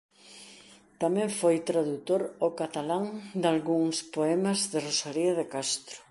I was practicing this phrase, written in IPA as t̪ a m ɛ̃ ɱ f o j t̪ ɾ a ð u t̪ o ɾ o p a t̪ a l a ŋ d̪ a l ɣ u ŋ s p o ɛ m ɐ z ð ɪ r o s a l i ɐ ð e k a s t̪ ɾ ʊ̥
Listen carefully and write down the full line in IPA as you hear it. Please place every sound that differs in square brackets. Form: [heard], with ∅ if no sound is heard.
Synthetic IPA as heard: t̪ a m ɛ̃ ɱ f o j t̪ ɾ a ð u t̪ o ɾ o [k] a t̪ a l a ŋ d̪ a l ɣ u ŋ s p o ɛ m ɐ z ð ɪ r o s a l i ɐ ð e k a s t̪ ɾ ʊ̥